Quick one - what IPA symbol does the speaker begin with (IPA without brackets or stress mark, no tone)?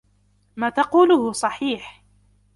m